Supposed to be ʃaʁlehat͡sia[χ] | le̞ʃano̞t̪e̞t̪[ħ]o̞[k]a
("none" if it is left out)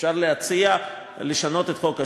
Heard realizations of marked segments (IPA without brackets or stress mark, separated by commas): none, χ, k